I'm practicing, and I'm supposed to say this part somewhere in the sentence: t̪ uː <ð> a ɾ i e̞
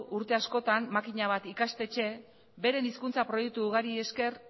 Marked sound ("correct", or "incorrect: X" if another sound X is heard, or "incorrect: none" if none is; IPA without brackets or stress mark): incorrect: ɣ